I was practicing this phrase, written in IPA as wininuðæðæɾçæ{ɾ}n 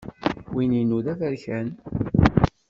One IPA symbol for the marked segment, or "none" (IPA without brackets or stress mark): none